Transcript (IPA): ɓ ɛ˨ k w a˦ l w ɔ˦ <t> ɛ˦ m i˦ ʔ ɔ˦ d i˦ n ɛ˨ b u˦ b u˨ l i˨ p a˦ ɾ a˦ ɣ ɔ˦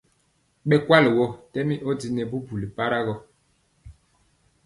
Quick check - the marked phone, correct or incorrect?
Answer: correct